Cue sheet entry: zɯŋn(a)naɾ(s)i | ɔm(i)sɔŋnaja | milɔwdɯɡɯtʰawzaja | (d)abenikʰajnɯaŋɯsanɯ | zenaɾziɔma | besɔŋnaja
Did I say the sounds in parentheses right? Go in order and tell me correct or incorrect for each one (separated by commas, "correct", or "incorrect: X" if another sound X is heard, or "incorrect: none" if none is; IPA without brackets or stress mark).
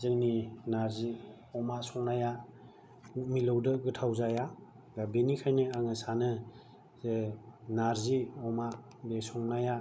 incorrect: i, incorrect: z, incorrect: a, incorrect: ɡ